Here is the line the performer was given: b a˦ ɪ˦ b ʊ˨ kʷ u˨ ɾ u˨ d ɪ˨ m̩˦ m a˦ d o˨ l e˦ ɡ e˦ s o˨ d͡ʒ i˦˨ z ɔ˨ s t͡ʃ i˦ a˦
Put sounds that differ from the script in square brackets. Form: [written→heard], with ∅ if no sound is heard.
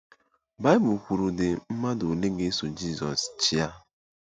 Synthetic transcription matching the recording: b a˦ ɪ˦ b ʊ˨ kʷ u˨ ɾ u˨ d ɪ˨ m̩˦ m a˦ d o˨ l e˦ ɡ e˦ s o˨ d͡ʒ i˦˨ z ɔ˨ s t͡ʃ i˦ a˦